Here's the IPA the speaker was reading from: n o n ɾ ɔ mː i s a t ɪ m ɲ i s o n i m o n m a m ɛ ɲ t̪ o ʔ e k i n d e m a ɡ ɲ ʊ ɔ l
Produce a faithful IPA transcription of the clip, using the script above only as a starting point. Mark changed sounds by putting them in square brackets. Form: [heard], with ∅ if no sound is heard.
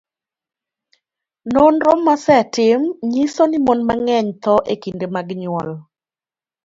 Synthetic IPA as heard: n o n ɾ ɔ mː [a] s [ɛ] t ɪ m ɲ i s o n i m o n m a [ŋ] ɛ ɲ t̪ [ɔ] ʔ e k i n d e m a ɡ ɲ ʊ ɔ l

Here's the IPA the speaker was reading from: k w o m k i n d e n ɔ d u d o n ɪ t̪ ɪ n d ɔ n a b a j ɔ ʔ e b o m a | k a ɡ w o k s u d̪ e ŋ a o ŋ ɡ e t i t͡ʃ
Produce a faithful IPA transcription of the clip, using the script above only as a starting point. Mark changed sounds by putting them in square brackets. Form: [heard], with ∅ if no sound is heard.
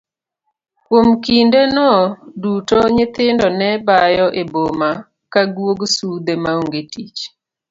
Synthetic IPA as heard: k w o m k i n d e n ɔ d u [t] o [ɲ] ɪ t̪ ɪ n d ɔ n [ɛ] b a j ɔ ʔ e b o m a | k a ɡ w o [ɡ] s u d̪ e [m] a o ŋ ɡ e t i t͡ʃ

